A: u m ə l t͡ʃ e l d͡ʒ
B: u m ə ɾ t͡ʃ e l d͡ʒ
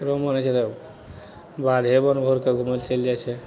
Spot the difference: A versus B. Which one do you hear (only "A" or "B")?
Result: A